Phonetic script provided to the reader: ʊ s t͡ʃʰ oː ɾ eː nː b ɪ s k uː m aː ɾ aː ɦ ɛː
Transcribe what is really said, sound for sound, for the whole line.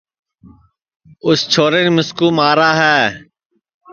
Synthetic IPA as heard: ʊ s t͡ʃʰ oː ɾ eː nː m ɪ s k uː m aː ɾ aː ɦ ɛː